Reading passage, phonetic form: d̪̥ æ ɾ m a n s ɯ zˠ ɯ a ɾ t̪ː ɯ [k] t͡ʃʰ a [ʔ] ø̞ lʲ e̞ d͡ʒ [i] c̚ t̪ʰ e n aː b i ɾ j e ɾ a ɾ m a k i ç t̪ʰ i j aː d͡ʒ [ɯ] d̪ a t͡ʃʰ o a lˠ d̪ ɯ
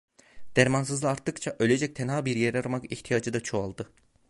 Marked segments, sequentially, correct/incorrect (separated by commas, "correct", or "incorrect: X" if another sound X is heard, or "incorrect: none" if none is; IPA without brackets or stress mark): correct, correct, incorrect: ɛ, correct